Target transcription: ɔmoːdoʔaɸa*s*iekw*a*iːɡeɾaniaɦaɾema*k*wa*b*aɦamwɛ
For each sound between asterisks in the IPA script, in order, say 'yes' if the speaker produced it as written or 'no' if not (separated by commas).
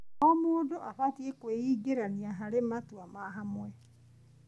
no, no, no, no